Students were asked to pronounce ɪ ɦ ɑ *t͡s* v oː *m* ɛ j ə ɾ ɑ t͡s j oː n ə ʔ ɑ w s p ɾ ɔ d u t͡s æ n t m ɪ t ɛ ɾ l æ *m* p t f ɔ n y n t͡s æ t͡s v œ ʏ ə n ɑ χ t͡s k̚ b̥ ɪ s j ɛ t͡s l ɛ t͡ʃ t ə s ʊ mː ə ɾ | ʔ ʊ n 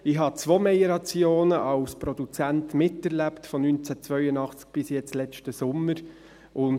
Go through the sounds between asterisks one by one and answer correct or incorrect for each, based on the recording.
correct, correct, incorrect: none

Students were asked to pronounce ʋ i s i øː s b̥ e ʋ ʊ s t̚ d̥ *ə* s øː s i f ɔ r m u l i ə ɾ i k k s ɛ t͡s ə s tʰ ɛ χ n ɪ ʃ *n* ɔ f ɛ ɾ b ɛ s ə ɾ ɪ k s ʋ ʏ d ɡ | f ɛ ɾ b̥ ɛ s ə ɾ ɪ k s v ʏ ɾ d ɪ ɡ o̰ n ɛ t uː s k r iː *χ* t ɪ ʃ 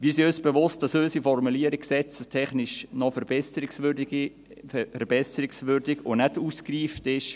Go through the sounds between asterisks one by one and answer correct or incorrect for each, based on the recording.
incorrect: ɑ, correct, incorrect: f

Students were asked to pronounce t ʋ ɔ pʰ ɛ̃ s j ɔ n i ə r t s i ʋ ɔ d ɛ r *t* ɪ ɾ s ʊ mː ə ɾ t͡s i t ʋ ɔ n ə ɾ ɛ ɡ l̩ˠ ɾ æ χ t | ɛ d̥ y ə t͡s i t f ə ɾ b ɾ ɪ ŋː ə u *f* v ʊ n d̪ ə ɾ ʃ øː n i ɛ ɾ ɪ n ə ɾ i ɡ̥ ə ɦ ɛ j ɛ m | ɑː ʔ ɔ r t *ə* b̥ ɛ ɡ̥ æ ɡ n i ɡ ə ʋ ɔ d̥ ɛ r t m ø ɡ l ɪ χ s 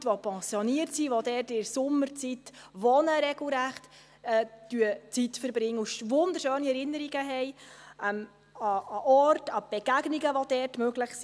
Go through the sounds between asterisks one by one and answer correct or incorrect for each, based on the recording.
correct, incorrect: ʃ, incorrect: ɑ

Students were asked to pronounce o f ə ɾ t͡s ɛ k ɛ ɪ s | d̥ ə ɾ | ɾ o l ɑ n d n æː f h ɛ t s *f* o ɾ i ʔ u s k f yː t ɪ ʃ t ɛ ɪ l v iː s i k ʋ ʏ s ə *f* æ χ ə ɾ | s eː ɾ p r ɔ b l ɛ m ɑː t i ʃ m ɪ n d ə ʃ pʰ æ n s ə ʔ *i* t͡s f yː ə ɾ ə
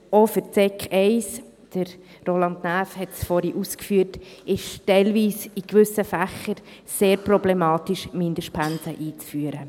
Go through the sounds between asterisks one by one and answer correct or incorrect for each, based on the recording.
correct, correct, incorrect: iː

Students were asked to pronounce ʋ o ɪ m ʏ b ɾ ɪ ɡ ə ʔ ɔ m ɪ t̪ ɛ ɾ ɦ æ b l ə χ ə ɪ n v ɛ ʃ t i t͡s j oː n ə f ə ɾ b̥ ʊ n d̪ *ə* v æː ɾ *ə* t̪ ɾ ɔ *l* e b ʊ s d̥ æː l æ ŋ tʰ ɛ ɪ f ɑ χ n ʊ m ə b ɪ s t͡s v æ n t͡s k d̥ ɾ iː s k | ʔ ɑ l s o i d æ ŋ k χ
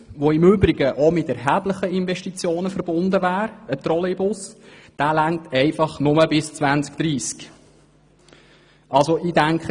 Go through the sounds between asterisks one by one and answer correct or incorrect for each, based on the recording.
correct, correct, correct

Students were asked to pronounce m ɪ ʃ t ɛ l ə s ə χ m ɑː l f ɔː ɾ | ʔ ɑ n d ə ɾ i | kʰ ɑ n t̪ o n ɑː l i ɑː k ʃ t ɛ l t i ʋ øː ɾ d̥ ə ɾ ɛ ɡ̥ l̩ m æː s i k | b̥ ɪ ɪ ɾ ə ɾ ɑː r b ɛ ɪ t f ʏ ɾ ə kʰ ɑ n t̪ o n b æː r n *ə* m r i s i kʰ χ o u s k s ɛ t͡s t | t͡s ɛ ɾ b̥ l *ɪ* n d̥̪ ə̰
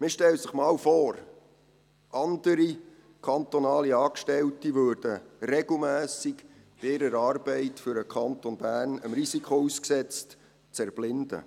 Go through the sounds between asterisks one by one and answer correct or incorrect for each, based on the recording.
correct, correct

